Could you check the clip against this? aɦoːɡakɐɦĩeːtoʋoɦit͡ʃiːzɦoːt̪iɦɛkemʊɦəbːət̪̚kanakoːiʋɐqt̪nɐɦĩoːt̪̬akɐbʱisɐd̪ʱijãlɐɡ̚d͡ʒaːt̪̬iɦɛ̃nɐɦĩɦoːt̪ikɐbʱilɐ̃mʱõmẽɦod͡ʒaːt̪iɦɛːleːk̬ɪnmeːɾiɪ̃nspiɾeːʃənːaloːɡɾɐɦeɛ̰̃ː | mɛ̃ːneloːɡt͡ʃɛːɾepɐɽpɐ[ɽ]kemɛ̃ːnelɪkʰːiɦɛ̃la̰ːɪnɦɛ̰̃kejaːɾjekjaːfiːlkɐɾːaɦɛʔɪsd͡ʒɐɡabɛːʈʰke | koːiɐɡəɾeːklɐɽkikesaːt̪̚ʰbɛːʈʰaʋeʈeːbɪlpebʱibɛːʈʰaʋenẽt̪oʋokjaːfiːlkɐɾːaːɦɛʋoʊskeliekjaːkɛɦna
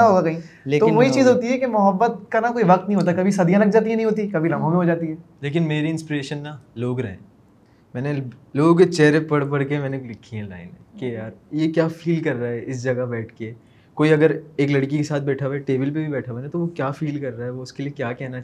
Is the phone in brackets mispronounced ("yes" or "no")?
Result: no